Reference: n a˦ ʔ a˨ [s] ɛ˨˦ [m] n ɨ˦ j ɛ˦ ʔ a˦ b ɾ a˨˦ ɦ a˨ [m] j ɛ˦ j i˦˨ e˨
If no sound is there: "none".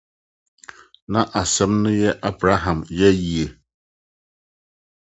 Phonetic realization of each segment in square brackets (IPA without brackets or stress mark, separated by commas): s, m, m